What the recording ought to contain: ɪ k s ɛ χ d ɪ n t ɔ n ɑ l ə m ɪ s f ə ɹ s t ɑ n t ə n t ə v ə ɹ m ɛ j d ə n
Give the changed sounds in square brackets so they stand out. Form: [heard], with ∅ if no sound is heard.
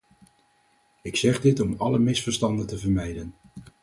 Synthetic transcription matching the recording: ɪ k s ɛ χ d ɪ [∅] t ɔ [m] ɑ l ə m ɪ s f ə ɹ s t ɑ n [d] ə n t ə v ə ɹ m ɛ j d ə n